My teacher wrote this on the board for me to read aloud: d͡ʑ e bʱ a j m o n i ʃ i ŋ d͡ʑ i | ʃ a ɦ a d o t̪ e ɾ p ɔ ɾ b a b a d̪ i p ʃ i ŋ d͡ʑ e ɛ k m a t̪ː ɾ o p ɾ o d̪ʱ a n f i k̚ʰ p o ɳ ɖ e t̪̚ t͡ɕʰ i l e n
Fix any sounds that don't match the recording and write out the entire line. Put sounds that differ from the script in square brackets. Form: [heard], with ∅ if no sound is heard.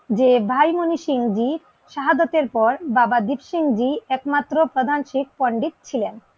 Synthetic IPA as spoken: d͡ʑ e bʱ a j m o n i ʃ i ŋ d͡ʑ i | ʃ a ɦ a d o t̪ e ɾ p ɔ ɾ b a b a d̪ i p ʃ i ŋ d͡ʑ [i] ɛ k m a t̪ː ɾ o p ɾ o d̪ʱ a n [ʃ] i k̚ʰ p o ɳ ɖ [i] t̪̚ t͡ɕʰ i l e n